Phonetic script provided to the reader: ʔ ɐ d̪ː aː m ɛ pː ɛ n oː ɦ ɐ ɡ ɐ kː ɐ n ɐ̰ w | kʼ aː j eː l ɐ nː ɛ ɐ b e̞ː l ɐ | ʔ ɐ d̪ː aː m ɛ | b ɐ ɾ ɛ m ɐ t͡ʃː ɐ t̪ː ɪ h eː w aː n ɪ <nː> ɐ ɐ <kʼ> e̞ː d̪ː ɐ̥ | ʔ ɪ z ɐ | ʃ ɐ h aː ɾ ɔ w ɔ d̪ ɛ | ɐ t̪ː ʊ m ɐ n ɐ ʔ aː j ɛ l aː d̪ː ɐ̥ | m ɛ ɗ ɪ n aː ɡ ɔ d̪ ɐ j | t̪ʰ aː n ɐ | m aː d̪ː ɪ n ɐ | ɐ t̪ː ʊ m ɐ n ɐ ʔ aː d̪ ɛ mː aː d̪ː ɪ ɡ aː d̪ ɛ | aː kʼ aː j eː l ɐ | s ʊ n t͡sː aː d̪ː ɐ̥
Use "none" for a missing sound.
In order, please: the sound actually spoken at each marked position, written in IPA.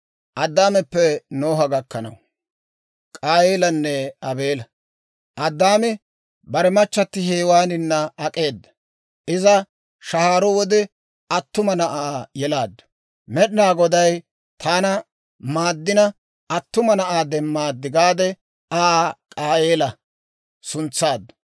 nː, kʼ

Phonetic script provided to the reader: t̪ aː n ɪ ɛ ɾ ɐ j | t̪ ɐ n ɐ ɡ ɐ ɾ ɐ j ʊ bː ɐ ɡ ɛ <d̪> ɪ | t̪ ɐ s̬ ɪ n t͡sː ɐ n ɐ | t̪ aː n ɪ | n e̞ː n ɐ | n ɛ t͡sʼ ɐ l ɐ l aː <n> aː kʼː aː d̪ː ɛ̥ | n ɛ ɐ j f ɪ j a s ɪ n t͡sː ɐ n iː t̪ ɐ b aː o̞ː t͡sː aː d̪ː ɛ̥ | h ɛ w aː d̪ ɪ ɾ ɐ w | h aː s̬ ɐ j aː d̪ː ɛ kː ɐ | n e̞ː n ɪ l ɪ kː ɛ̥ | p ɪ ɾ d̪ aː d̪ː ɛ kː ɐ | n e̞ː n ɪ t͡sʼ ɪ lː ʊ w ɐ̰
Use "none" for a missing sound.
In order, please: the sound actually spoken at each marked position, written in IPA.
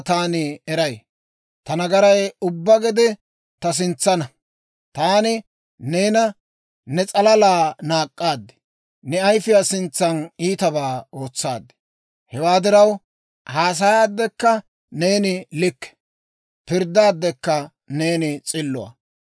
d̪, n

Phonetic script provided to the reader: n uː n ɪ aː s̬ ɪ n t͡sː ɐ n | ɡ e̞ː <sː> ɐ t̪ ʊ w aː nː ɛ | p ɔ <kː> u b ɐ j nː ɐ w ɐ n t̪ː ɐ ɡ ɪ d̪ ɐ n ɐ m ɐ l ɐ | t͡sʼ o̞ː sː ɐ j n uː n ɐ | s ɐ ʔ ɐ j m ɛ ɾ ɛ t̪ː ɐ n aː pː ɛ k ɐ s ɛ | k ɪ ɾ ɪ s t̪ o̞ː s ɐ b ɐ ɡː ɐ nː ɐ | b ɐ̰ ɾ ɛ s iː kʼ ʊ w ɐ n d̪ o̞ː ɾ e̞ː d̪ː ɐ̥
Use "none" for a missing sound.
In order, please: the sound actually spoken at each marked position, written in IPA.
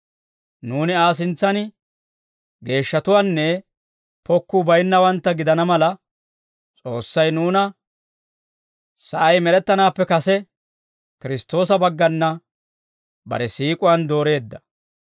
ʃː, kː

